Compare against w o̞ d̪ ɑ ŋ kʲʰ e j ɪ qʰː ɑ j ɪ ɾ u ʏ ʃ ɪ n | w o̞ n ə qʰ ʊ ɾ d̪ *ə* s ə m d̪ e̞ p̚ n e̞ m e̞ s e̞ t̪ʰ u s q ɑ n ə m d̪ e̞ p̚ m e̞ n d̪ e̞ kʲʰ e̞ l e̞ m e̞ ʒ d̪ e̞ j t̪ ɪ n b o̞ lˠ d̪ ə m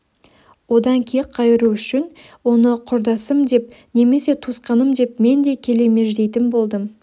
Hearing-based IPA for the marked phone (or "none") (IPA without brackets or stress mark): ɑ